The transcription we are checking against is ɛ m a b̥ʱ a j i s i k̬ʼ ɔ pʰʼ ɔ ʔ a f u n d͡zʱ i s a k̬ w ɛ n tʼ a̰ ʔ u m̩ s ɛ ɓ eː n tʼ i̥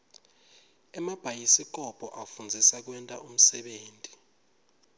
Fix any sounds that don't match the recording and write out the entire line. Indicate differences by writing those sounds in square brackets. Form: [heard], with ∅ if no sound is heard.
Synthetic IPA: ɛ m a b̥ʱ a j i s i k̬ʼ ɔ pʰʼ ɔ ʔ a f u n d͡zʱ i s a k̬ w ɛ n tʼ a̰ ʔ u m̩ s ɛ ɓ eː n tʼ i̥